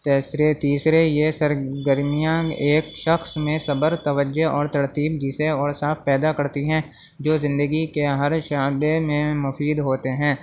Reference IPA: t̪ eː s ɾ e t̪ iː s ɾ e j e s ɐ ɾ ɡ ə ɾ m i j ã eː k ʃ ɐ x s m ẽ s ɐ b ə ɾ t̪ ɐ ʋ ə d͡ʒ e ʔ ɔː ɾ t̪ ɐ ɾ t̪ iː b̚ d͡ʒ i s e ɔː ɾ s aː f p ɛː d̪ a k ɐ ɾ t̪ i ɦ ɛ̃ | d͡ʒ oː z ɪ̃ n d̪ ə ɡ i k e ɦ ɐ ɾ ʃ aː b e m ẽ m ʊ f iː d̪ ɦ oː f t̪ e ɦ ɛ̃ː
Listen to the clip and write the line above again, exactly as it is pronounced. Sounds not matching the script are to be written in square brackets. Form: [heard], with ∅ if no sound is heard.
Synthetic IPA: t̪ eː s ɾ e t̪ iː s ɾ e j e s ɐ ɾ ɡ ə ɾ m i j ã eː k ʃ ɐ x s m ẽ s ɐ b ə ɾ t̪ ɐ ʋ ə d͡ʒ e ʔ ɔː ɾ t̪ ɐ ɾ t̪ iː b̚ d͡ʒ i s e ɔː ɾ s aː f p ɛː d̪ a k ɐ ɾ t̪ i ɦ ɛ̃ | d͡ʒ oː z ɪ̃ n d̪ ə ɡ i k e ɦ ɐ ɾ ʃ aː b e m ẽ m ʊ f iː d̪ ɦ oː [∅] t̪ e ɦ ɛ̃ː

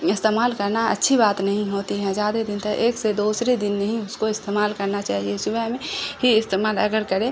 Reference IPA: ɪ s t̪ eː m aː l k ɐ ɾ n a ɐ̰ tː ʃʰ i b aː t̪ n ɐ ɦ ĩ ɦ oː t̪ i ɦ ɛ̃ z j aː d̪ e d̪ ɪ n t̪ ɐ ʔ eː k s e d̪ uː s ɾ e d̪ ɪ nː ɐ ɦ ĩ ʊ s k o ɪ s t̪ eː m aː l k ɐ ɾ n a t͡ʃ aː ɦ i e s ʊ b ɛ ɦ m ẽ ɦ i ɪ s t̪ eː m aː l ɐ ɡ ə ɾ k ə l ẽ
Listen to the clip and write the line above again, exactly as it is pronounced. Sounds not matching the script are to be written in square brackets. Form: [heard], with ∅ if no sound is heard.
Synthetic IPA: ɪ s t̪ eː m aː l k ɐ ɾ n a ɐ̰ tː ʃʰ i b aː t̪ n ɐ ɦ ĩ ɦ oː t̪ i ɦ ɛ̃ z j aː d̪ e d̪ ɪ n t̪ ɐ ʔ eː k s e d̪ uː s ɾ e d̪ ɪ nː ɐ ɦ ĩ ʊ s k o ɪ s t̪ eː m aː l k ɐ ɾ n a t͡ʃ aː ɦ i e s ʊ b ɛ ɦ m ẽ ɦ i ɪ s t̪ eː m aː l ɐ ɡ ə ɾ k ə [ɾ] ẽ

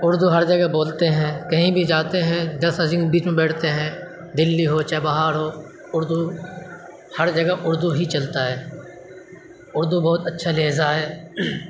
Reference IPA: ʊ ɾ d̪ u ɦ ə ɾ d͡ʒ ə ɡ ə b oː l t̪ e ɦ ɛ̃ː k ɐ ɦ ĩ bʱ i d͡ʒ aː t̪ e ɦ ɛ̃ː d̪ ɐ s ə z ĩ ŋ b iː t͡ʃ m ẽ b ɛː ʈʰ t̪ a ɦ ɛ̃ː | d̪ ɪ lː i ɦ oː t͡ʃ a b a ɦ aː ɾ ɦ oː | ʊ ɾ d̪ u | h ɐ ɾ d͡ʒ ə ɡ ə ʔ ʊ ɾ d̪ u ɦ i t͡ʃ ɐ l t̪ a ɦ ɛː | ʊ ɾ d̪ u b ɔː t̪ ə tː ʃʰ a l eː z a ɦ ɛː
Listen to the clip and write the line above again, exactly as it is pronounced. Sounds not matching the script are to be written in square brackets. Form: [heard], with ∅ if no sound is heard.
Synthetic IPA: ʊ ɾ d̪ u ɦ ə ɾ d͡ʒ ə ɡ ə b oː l t̪ e ɦ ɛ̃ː k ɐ ɦ ĩ bʱ i d͡ʒ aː t̪ e ɦ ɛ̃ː d̪ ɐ s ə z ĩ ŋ b iː t͡ʃ m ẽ b ɛː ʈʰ t̪ [e] ɦ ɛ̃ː | d̪ ɪ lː i ɦ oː t͡ʃ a b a ɦ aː ɾ ɦ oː | ʊ ɾ d̪ u | h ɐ ɾ d͡ʒ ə ɡ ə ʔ ʊ ɾ d̪ u ɦ i t͡ʃ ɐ l t̪ a ɦ ɛː | ʊ ɾ d̪ u b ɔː t̪ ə tː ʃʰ a l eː z a ɦ ɛː

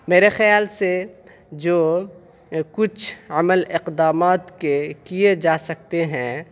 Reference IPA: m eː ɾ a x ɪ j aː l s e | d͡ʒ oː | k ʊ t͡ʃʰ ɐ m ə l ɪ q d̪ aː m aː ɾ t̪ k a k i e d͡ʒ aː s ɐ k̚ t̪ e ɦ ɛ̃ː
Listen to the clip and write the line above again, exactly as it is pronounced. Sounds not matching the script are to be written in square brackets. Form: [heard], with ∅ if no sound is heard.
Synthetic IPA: m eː ɾ [e] x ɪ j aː l s e | d͡ʒ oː | k ʊ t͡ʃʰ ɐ m ə l ɪ q d̪ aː m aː [∅] t̪ k [e] k i e d͡ʒ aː s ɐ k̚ t̪ e ɦ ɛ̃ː

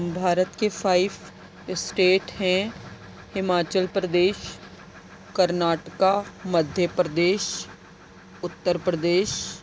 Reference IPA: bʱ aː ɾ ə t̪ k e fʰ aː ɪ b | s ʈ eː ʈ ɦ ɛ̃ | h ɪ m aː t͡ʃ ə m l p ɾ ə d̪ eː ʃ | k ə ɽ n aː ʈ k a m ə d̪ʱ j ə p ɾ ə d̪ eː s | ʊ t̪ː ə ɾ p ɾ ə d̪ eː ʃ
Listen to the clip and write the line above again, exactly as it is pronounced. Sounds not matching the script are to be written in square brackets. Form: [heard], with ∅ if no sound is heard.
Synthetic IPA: bʱ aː ɾ ə t̪ k e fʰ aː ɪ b | s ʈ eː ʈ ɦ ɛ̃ | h ɪ m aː t͡ʃ ə [∅] l p ɾ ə d̪ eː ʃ | k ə [ɾ] n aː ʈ k a m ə d̪ʱ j ə p ɾ ə d̪ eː [ʃ] | ʊ t̪ː ə ɾ p ɾ ə d̪ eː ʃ

